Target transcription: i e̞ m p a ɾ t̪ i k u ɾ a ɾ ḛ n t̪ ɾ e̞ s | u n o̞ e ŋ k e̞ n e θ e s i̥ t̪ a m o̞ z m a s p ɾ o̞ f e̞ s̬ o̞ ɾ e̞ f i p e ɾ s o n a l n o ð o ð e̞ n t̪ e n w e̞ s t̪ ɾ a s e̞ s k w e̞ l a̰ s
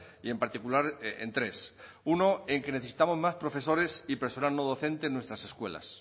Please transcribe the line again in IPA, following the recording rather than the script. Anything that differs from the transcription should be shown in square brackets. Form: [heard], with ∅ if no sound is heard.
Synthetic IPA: i e̞ m p a ɾ t̪ i k u [l] a ɾ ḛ n t̪ ɾ e̞ s | u n o̞ e ŋ k e̞ n e θ e s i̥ t̪ a m o̞ z m a s p ɾ o̞ f e̞ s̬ o̞ ɾ e̞ [s] i p e ɾ s o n a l n o ð o [θ] e̞ n t̪ e n w e̞ s t̪ ɾ a s e̞ s k w e̞ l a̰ s

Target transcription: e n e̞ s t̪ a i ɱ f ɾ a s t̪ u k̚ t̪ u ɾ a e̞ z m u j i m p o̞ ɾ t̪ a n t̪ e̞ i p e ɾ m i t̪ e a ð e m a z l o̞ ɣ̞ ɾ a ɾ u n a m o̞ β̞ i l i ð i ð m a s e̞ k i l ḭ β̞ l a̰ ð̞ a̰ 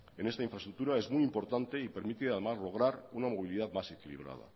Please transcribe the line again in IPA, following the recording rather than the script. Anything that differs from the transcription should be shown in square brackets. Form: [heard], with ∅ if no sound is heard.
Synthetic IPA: e n e̞ s t̪ a i ɱ f ɾ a s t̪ u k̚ t̪ u ɾ a e̞ z m u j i m p o̞ ɾ t̪ a n t̪ e̞ i p e ɾ m i t̪ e a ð e m a z l o̞ ɣ̞ ɾ a ɾ u n a m o̞ β̞ i l i ð [a] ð m a s e̞ k i l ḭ β̞ [ɾ] a̰ ð̞ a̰

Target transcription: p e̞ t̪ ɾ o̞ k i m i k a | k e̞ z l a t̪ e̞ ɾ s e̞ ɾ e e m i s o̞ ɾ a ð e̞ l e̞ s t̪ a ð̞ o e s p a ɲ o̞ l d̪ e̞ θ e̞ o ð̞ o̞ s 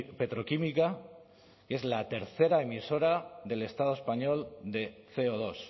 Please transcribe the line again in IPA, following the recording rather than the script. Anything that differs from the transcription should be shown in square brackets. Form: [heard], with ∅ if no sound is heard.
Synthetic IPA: p e̞ t̪ ɾ o̞ k i m i k a | k e̞ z l a t̪ e̞ ɾ [θ] e̞ ɾ [a] e m i s o̞ ɾ a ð e̞ l e̞ s t̪ a ð̞ o e s p a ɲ o̞ l d̪ e̞ θ e̞ o ð̞ o̞ s

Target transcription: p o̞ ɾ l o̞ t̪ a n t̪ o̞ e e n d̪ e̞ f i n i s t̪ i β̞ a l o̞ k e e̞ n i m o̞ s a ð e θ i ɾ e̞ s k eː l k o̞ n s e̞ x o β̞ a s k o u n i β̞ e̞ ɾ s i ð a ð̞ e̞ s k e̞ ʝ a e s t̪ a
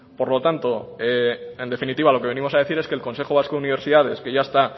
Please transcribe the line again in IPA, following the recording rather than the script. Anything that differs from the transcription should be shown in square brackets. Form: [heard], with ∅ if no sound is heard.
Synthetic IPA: p o̞ ɾ l o̞ t̪ a n t̪ o̞ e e n d̪ e̞ f i n i [∅] t̪ i β̞ a l o̞ k e e̞ n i m o̞ s a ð e θ i ɾ e̞ s k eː l k o̞ n s e̞ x o β̞ a s k o u n i β̞ e̞ ɾ s i ð a ð̞ e̞ s k e̞ ʝ a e s t̪ a

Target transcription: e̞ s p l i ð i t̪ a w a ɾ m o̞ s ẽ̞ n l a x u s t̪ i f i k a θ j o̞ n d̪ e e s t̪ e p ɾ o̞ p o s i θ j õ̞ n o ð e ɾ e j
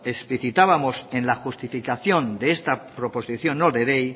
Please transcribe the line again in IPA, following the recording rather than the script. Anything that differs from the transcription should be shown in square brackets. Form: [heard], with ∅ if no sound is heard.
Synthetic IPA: e̞ s p l i [θ] i t̪ a [β] a [∅] m o̞ s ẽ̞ n l a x u s t̪ i f i k a θ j o̞ n d̪ e e s t̪ [a] p ɾ o̞ p o s i θ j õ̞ n o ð e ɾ e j

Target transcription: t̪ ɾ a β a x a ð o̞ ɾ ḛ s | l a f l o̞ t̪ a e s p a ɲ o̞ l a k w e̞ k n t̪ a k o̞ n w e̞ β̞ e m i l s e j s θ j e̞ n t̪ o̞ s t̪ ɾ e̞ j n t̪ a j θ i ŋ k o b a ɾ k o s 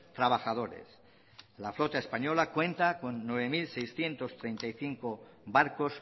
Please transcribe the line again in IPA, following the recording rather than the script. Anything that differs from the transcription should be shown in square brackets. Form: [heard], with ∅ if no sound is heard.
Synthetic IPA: t̪ ɾ a β a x a ð o̞ ɾ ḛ s | l a f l o̞ t̪ a e s p a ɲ o̞ l a k w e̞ [∅] n t̪ a k o̞ [nː] w e̞ β̞ e m i l s e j s θ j e̞ n t̪ o̞ s t̪ ɾ e̞ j n t̪ a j θ i ŋ k o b a ɾ k o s

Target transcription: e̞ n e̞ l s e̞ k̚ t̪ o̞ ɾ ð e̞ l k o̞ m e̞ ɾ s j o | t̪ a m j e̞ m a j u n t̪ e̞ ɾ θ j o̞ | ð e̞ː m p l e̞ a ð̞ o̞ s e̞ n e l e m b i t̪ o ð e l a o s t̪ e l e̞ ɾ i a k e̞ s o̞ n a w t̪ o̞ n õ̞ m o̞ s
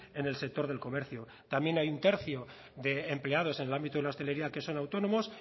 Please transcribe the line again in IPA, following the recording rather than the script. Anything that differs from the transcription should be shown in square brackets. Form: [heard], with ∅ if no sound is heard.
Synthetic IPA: e̞ n e̞ l s e̞ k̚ t̪ o̞ ɾ ð e̞ l k o̞ m e̞ ɾ [θ] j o | t̪ a m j e̞ [n] a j u n t̪ e̞ ɾ θ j o̞ | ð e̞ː m p l e̞ a ð̞ o̞ s e̞ n e l [a] m b i t̪ o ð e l a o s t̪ e l e̞ ɾ i a k e̞ s o̞ n a w t̪ o̞ n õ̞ m o̞ s

